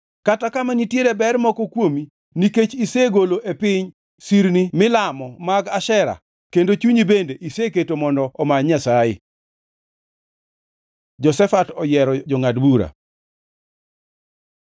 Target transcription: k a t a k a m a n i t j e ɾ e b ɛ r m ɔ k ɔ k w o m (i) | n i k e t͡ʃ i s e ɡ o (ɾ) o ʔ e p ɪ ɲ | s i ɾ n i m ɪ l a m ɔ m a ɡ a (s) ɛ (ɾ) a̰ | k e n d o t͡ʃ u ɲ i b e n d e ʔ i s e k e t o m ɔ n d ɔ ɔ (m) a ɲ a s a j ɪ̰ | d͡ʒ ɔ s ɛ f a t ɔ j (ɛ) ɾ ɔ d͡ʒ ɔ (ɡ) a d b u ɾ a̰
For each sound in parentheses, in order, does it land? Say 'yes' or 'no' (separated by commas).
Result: yes, no, no, yes, yes, yes, no